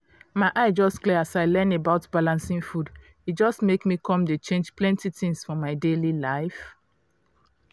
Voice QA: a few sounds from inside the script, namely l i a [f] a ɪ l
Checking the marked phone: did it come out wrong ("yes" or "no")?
yes